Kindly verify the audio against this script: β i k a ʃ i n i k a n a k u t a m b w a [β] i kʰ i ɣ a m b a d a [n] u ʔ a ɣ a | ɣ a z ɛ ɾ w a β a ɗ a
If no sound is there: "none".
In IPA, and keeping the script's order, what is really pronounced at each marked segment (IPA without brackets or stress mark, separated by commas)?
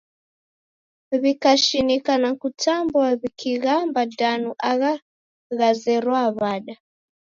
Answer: β, n